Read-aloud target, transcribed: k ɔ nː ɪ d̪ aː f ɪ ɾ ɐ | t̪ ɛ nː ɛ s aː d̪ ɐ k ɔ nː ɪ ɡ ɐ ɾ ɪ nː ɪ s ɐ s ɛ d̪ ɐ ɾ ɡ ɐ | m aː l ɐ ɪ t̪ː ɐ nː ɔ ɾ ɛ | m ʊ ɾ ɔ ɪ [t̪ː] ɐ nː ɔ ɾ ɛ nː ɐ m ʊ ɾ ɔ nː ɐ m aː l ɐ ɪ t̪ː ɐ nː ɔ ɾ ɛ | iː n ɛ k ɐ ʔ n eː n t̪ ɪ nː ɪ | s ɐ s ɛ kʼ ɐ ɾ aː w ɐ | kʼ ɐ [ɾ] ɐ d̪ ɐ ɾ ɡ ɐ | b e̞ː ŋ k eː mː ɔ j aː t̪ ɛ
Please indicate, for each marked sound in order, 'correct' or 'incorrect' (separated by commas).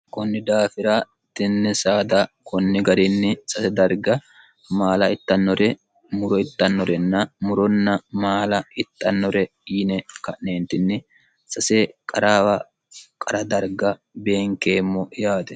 correct, correct